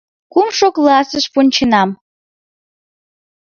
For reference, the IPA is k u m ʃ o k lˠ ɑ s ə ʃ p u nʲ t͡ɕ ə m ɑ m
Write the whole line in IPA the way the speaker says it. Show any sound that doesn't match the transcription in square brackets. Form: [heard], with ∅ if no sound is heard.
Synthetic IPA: k u m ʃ o k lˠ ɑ s ə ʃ p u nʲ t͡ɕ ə [n] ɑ m